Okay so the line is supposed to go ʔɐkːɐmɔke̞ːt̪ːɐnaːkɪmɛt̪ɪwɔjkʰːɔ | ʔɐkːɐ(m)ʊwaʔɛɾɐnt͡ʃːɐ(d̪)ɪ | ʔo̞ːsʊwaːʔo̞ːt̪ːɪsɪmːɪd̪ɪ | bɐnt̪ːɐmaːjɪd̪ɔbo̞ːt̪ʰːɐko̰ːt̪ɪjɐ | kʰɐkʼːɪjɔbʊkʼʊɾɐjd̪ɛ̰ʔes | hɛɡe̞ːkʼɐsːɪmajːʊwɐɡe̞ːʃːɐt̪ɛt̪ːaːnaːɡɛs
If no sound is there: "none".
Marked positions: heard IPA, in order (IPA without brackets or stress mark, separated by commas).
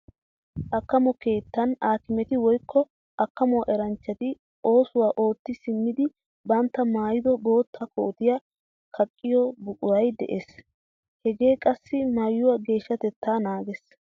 m, t̪